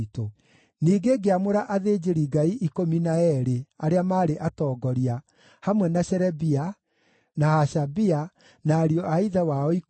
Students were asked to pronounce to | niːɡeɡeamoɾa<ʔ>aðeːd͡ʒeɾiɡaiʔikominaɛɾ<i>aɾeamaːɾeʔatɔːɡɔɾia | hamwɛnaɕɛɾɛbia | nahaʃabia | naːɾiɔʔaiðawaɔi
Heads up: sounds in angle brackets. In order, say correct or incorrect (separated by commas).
correct, incorrect